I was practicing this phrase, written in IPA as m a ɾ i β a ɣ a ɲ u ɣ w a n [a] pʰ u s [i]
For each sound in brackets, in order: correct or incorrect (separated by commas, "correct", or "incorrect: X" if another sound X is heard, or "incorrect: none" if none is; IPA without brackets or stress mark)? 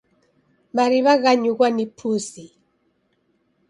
incorrect: i, correct